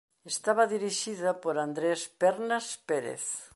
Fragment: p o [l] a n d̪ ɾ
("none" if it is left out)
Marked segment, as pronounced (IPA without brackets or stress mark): ɾ